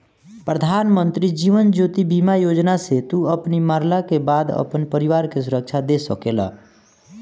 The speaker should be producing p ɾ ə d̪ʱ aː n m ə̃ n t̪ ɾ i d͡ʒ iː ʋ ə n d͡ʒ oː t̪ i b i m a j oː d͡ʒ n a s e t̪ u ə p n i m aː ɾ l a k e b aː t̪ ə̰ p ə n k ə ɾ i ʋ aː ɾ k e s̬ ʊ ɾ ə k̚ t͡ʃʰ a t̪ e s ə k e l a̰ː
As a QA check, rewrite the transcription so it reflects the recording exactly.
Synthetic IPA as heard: p ɾ ə d̪ʱ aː n m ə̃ n t̪ ɾ i d͡ʒ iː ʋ ə n d͡ʒ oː t̪ i b i m a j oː d͡ʒ n a s e t̪ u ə p n i m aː ɾ l a k e b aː d̪ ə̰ p ə n p ə ɾ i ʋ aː ɾ k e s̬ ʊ ɾ ə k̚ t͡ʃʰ a d̪ e s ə k e l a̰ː